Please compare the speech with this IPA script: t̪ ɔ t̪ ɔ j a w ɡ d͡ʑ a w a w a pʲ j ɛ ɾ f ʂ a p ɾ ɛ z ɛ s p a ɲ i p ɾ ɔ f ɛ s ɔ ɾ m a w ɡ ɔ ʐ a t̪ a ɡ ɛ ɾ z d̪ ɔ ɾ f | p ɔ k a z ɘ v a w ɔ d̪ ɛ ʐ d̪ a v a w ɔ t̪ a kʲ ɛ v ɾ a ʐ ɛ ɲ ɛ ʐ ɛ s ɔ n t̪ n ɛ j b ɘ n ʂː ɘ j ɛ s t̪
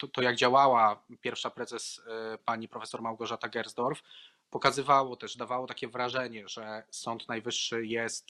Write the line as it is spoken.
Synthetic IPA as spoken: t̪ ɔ t̪ ɔ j a ɡ d͡ʑ a w a w a pʲ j ɛ ɾ f ʂ a p ɾ ɛ z ɛ s p a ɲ i p ɾ ɔ f ɛ s ɔ ɾ m a w ɡ ɔ ʐ a t̪ a ɡ ɛ ɾ z d̪ ɔ ɾ f | p ɔ k a z ɘ v a w ɔ t̪ ɛ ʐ d̪ a v a w ɔ t̪ a kʲ ɛ v ɾ a ʐ ɛ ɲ ɛ ʐ ɛ s ɔ n t̪ n a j v ɘ ʂː ɘ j ɛ s t̪